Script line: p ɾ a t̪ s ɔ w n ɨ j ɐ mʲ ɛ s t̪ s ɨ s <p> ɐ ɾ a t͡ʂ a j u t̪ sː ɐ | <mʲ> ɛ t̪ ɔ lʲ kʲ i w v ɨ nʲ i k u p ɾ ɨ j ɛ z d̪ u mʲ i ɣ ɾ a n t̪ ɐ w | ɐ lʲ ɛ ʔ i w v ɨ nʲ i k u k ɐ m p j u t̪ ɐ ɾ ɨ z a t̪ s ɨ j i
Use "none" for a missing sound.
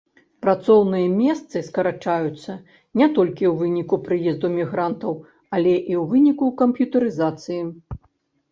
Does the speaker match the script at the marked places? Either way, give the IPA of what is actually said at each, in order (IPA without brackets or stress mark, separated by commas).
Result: k, nʲ